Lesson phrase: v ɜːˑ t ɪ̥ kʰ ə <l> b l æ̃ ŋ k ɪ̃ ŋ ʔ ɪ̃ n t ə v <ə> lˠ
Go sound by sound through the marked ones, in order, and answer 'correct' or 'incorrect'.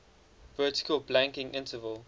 correct, correct

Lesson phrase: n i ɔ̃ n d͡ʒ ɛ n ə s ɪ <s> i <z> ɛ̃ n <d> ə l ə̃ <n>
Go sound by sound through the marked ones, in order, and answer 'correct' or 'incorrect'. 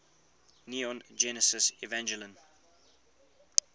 correct, incorrect, incorrect, correct

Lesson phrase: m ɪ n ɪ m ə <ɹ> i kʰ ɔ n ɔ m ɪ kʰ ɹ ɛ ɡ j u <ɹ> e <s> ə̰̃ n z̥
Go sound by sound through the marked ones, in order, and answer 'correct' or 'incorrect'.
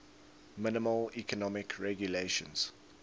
incorrect, incorrect, incorrect

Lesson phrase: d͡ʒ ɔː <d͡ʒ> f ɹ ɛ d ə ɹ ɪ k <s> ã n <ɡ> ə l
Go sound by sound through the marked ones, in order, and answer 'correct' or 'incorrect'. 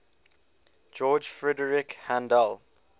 correct, incorrect, incorrect

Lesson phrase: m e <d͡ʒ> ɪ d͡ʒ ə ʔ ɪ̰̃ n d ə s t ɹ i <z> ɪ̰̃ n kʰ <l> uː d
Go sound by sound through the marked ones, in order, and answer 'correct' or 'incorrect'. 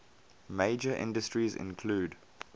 incorrect, correct, correct

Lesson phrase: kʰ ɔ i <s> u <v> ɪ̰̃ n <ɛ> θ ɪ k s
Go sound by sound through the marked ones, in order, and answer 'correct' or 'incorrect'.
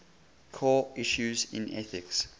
incorrect, incorrect, correct

